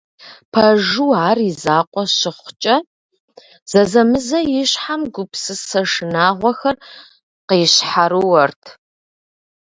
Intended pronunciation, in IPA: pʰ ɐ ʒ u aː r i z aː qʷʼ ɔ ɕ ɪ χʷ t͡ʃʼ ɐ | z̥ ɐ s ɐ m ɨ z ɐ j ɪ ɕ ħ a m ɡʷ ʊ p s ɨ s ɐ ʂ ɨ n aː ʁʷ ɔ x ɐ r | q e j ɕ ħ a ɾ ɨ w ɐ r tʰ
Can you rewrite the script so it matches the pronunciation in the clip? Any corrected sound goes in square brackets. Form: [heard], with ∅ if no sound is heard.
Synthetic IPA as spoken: pʰ ɐ ʒ u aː r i z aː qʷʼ ɔ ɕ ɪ χʷ t͡ʃʼ ɐ | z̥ ɐ [z] ɐ m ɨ z ɐ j ɪ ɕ ħ a m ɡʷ ʊ p s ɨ s ɐ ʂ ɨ n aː ʁʷ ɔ x ɐ r | q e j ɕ ħ a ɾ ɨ w ɐ r tʰ